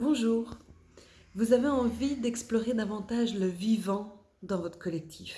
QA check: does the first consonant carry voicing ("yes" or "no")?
yes